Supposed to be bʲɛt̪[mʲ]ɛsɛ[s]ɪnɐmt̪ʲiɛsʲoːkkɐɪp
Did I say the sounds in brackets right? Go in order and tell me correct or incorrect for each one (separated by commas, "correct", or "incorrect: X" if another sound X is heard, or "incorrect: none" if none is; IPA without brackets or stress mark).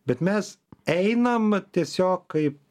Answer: correct, incorrect: none